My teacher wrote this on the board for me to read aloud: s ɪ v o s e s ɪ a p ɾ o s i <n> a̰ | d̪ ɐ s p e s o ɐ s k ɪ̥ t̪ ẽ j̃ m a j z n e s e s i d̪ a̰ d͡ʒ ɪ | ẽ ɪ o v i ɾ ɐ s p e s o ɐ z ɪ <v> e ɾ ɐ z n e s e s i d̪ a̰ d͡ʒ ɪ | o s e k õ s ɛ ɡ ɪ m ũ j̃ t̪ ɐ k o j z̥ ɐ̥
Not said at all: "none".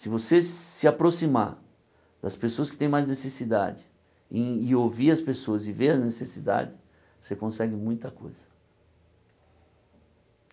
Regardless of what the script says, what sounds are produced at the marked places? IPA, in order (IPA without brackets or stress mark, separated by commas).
m, v